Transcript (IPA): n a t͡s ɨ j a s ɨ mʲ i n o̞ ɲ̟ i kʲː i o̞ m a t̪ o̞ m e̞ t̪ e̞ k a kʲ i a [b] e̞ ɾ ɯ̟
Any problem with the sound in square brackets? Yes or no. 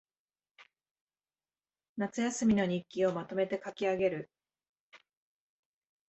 yes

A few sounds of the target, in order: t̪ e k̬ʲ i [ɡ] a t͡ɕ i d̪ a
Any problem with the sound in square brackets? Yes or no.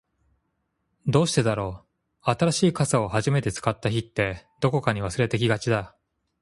no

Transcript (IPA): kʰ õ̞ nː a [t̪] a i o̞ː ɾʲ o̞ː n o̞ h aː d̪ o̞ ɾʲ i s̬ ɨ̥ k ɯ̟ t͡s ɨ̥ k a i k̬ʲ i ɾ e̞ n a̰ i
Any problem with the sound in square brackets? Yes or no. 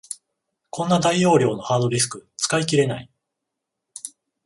yes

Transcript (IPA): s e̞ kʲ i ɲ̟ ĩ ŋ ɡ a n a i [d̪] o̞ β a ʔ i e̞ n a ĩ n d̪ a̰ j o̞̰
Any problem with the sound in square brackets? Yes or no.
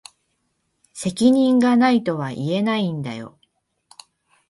yes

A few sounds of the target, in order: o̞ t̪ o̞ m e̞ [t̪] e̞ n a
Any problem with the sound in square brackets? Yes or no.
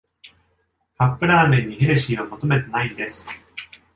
no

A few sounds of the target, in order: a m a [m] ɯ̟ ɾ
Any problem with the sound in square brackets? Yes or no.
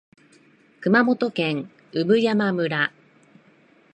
no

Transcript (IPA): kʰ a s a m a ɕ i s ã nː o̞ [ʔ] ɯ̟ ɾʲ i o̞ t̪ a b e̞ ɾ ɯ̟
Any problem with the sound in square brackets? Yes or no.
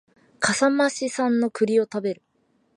yes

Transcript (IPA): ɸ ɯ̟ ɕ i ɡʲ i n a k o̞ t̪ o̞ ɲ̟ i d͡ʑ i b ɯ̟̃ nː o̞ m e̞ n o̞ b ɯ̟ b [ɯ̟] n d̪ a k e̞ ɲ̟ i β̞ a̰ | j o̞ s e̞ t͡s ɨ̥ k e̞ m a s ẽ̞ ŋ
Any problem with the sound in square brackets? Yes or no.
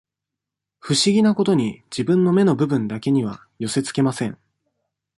yes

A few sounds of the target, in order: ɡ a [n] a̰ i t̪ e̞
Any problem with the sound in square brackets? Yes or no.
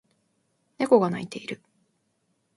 no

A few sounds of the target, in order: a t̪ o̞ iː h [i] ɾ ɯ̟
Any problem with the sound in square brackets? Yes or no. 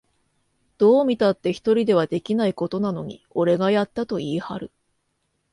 yes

